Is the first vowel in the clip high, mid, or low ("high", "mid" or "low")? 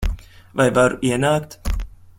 low